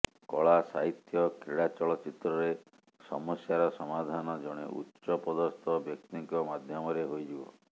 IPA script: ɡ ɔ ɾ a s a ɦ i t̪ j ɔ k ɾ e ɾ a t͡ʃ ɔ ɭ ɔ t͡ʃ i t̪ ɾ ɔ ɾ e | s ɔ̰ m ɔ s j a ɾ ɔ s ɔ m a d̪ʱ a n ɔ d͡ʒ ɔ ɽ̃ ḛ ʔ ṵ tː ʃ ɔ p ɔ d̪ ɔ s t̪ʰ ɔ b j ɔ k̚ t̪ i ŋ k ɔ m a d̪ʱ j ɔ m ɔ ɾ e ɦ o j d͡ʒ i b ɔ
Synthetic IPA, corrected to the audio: k ɔ ɭ a s a ɦ i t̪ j ɔ k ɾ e ɽ a t͡ʃ ɔ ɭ ɔ t͡ʃ i t̪ ɾ ɔ ɾ e | s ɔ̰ m ɔ s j a ɾ ɔ s ɔ m a d̪ʱ a n ɔ d͡ʒ ɔ ɽ̃ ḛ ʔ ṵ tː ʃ ɔ p ɔ d̪ ɔ s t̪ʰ ɔ b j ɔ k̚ t̪ i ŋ k ɔ m a d̪ʱ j ɔ m ɔ ɾ e ɦ o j d͡ʒ i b ɔ